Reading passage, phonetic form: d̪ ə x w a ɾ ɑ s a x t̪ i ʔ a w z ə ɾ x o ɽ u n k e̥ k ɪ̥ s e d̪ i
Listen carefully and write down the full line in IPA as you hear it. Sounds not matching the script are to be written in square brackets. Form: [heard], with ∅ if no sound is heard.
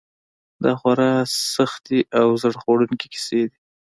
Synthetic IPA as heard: d̪ [ɑ] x w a ɾ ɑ s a x t̪ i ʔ a w z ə [ɽ] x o ɽ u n k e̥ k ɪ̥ s e d̪ i